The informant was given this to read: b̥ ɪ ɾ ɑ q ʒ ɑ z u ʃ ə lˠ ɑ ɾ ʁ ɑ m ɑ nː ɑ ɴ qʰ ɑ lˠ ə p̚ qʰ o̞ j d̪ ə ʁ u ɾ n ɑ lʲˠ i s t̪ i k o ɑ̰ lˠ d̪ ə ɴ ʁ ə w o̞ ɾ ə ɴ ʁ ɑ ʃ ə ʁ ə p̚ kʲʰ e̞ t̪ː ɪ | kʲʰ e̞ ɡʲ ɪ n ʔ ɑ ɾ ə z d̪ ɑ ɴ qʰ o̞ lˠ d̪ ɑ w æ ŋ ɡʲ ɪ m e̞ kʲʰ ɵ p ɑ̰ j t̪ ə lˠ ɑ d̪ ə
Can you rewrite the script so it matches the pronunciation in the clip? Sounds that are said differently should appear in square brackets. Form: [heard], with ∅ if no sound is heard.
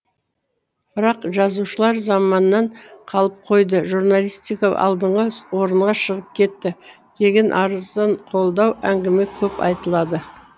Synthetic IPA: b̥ ɪ ɾ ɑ q ʒ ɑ z u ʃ ə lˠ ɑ ɾ [z] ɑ m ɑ nː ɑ ɴ qʰ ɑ lˠ ə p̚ qʰ o̞ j d̪ ə [ʒ] u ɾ n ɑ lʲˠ i s t̪ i k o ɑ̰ lˠ d̪ ə ɴ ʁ ə w o̞ ɾ ə ɴ ʁ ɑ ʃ ə ʁ ə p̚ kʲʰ e̞ t̪ː ɪ | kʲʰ e̞ ɡʲ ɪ n ʔ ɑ ɾ ə z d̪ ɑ ɴ qʰ o̞ lˠ d̪ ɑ w æ ŋ ɡʲ ɪ m e̞ kʲʰ ɵ p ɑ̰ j t̪ ə lˠ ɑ d̪ ə

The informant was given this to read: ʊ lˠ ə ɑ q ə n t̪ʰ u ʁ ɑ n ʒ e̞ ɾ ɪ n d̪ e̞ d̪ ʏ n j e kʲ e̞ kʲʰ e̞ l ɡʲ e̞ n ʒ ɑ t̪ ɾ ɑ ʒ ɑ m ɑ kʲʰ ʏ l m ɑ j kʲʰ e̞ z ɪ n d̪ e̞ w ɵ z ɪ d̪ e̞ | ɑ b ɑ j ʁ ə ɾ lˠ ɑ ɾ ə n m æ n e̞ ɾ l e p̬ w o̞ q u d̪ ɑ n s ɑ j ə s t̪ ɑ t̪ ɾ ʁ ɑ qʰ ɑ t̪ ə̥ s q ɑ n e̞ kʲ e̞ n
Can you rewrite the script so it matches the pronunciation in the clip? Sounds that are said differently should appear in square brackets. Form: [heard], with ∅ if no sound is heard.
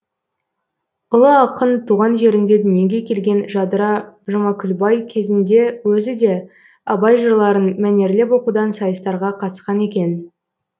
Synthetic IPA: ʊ lˠ ə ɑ q ə n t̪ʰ u ʁ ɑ n ʒ e̞ ɾ ɪ n d̪ e̞ d̪ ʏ n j e [ɡʲ] e̞ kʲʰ e̞ l ɡʲ e̞ n ʒ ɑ [d̪] ɾ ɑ ʒ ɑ m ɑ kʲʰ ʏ l [b] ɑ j kʲʰ e̞ z ɪ n d̪ e̞ w ɵ z ɪ d̪ e̞ | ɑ b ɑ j [ʒ] ə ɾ lˠ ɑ ɾ ə n m æ n e̞ ɾ l e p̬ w o̞ q u d̪ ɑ n s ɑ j ə s t̪ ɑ [∅] ɾ ʁ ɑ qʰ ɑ t̪ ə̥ s q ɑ n e̞ kʲ e̞ n

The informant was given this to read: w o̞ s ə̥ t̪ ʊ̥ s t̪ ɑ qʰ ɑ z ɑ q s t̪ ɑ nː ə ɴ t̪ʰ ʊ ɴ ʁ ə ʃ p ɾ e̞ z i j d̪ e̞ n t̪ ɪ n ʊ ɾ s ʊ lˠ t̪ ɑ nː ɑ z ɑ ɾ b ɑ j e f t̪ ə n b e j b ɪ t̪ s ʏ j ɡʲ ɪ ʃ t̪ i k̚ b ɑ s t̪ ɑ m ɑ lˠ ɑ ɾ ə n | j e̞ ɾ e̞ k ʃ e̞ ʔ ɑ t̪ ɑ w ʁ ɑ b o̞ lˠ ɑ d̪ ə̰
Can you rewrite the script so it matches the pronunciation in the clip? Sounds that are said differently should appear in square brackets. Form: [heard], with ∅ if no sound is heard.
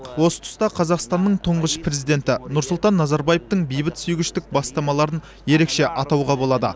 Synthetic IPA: w o̞ s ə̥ [t̪ʰ] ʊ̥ s t̪ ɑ qʰ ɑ z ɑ q s t̪ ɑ nː ə ɴ t̪ʰ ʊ ɴ ʁ ə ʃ p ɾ e̞ z i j d̪ e̞ n t̪ ɪ n ʊ ɾ s ʊ lˠ t̪ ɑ nː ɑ z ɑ ɾ b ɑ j e f t̪ ə [ɴ] b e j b ɪ t̪ s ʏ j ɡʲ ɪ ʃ t̪ [ɪ] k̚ b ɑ s t̪ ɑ m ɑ lˠ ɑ ɾ ə n | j e̞ ɾ e̞ k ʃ e̞ ʔ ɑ t̪ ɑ w ʁ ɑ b o̞ lˠ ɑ d̪ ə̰

